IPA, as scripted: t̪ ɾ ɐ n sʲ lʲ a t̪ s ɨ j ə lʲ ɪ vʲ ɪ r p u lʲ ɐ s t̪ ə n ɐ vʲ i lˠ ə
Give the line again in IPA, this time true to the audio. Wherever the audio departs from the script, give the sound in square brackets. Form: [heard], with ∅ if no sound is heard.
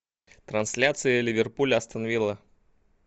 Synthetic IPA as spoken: t̪ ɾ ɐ n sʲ lʲ a t̪ s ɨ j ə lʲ ɪ vʲ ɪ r p u lʲ ɐ s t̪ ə n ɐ vʲ i lˠ ə